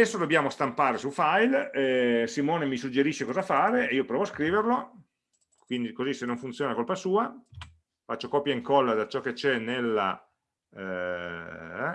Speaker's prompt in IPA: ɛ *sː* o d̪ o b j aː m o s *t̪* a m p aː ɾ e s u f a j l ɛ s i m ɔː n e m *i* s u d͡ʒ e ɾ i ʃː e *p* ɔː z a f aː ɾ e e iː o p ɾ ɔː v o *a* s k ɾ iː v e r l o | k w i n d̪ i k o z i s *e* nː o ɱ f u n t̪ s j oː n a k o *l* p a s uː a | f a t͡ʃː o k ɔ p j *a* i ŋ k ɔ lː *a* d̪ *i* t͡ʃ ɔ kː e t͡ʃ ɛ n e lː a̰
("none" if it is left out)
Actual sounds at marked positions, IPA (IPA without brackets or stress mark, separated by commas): sː, t̪, i, k, a, e, l, a, a, a